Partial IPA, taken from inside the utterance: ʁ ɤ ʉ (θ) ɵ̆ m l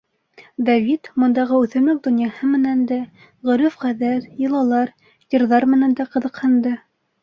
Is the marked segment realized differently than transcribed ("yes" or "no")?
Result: no